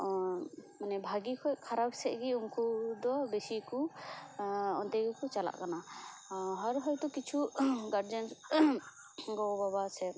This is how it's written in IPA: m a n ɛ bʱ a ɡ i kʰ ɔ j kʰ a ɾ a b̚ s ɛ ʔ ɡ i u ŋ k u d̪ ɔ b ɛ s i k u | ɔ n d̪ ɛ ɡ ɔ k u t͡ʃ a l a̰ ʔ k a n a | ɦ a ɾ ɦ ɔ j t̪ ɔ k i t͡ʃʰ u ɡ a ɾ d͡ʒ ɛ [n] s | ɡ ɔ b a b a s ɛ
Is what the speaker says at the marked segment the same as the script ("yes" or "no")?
yes